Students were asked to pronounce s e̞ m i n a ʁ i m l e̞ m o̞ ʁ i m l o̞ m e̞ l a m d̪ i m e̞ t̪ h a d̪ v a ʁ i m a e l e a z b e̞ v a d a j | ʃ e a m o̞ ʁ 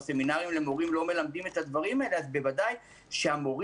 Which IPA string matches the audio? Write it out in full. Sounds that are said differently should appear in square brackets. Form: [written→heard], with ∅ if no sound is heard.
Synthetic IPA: s e̞ m i n a ʁ i m l e̞ m o̞ ʁ i m l o̞ m e̞ l a m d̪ i m e̞ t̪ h a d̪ v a ʁ i m a e l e a z b e̞ v a d a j | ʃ e a m o̞ ʁ